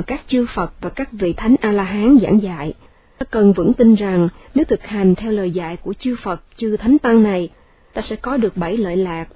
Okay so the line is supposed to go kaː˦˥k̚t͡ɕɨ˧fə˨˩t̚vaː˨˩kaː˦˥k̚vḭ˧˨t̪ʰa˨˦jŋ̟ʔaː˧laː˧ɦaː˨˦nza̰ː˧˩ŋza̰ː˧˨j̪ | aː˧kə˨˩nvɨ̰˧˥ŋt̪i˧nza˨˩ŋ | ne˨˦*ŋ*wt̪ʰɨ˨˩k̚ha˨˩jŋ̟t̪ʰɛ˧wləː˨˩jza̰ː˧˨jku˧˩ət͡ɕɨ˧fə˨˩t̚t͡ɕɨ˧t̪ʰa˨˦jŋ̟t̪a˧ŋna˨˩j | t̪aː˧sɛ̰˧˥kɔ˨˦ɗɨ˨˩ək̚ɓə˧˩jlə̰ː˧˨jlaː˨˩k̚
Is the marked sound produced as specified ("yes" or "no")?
no